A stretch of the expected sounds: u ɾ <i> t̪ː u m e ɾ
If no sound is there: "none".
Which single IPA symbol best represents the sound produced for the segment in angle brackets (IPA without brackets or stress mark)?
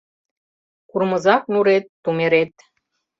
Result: e